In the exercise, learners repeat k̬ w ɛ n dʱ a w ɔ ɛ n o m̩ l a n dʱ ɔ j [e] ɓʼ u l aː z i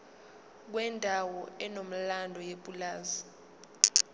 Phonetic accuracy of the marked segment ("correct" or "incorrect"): correct